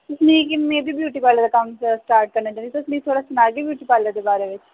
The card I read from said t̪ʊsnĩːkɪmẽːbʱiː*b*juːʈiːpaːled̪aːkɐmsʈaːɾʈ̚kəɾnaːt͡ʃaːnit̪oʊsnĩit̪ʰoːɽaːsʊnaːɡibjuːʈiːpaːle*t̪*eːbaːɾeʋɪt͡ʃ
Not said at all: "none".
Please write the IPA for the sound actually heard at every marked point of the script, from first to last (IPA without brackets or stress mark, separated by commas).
b, d̪